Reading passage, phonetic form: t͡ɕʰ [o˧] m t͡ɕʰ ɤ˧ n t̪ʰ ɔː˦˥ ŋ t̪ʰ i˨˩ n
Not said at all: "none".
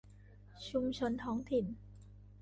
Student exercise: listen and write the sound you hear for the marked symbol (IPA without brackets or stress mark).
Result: u˧